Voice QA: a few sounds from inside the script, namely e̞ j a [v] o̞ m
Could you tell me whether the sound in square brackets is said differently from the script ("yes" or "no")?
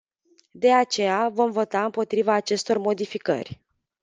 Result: no